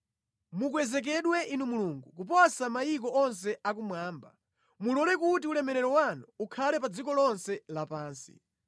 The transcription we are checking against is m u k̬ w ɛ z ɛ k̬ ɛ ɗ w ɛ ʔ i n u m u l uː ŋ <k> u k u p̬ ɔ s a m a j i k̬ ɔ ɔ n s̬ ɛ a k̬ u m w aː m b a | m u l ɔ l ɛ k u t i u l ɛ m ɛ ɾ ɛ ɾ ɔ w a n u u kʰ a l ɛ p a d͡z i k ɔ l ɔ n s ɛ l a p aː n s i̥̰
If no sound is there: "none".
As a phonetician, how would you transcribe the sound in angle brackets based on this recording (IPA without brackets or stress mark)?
ɡ